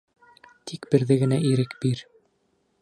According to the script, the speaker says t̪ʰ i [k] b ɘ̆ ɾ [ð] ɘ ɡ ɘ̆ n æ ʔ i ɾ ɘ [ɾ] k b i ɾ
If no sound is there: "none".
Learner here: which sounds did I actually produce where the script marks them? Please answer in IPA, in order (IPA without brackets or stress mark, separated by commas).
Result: k, ð, none